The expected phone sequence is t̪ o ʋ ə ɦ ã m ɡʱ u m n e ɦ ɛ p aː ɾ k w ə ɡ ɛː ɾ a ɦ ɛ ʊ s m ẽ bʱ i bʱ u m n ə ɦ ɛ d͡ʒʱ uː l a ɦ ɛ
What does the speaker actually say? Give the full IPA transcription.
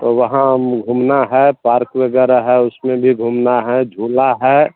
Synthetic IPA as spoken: t̪ o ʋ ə ɦ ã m ɡʱ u m n a ɦ ɛ p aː ɾ k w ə ɡ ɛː ɾ a ɦ ɛ ʊ s m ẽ bʱ i ɡʱ u m n a ɦ ɛ d͡ʒʱ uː l a ɦ ɛ